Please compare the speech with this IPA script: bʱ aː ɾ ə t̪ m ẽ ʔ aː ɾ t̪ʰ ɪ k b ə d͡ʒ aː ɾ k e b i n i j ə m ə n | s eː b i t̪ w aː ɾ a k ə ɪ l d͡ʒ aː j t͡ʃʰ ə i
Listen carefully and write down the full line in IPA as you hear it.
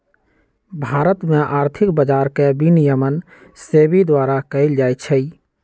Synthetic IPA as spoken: bʱ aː ɾ ə t̪ m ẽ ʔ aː ɾ t̪ʰ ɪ k b ə d͡ʒ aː ɾ k e b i n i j ə m ə n | s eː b i d̪ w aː ɾ a k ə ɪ l d͡ʒ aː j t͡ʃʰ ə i